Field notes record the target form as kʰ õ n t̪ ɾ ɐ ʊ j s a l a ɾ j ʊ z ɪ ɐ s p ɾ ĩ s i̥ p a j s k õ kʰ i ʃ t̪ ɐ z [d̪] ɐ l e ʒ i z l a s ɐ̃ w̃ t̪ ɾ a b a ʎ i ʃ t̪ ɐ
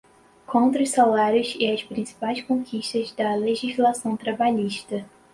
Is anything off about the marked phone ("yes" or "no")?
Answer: no